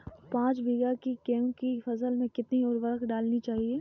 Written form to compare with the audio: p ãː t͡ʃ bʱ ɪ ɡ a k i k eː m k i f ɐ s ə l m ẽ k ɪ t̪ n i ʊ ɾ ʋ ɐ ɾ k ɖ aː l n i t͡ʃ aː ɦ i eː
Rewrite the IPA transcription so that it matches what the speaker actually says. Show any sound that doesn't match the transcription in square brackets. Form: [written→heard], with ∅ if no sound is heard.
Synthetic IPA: p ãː t͡ʃ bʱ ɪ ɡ a k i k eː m k i f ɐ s ə l m ẽ k ɪ t̪ n i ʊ ɾ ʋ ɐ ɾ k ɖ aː l n i t͡ʃ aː ɦ i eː

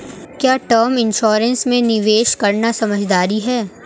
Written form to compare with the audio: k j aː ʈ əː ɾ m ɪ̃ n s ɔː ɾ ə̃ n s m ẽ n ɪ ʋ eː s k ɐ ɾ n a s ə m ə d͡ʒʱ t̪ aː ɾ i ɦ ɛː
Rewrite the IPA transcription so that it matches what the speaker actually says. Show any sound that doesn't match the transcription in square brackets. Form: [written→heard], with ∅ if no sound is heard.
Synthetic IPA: k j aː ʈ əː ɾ m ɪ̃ n [s→ʃ] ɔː ɾ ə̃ n s m ẽ n ɪ ʋ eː [s→ʃ] k ɐ ɾ n a s [ə→ɐ] m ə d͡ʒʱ [t̪→d̪] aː ɾ i ɦ ɛː

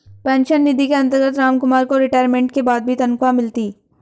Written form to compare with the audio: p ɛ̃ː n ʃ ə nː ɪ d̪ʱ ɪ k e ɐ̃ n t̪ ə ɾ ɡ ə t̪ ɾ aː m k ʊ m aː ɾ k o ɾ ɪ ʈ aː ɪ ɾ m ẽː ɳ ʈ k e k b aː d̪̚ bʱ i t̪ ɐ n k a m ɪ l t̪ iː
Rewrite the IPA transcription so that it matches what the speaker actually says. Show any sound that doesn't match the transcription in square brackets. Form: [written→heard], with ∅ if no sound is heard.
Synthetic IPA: p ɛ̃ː n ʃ ə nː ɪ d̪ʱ [ɪ→i] k e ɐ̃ n t̪ ə ɾ ɡ ə t̪ ɾ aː m k ʊ m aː ɾ k o ɾ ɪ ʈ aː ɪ ɾ m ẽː ɳ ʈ k e [k→∅] b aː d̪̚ bʱ i t̪ ɐ n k a m ɪ l t̪ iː

